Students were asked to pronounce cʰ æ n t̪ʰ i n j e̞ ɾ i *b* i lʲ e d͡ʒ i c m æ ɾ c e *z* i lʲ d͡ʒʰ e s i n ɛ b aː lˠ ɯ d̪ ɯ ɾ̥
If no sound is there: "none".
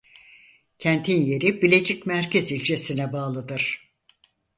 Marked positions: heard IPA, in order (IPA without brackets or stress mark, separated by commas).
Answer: b, z